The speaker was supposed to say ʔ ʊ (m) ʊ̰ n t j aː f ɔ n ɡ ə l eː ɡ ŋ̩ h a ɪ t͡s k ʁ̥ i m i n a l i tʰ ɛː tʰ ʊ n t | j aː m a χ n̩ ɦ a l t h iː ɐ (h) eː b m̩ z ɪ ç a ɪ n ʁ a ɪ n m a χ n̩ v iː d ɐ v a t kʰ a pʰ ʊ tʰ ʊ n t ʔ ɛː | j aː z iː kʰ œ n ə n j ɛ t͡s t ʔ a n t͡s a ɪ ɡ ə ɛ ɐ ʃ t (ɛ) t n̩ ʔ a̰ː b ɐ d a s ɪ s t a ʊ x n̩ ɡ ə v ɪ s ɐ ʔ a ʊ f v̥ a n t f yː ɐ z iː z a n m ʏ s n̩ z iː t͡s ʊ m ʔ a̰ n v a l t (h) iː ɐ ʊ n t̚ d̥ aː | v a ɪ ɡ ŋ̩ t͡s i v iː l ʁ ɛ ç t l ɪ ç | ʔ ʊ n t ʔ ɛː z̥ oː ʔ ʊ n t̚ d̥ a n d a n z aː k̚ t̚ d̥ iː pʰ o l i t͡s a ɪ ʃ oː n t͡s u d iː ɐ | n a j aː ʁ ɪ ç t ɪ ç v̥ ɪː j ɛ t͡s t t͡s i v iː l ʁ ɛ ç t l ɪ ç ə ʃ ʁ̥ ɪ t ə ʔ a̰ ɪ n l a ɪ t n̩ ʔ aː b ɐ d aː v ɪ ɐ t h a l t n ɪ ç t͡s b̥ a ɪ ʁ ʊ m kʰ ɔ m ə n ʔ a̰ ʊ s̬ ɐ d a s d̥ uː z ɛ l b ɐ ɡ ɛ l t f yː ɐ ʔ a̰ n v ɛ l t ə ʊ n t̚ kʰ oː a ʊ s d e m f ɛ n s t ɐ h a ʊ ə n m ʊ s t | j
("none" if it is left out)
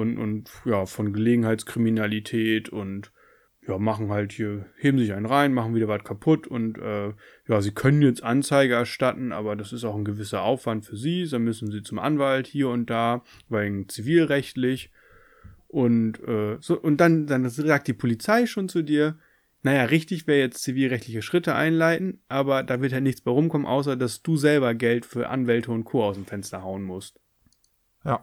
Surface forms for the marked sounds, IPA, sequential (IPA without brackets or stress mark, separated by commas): n, h, a, h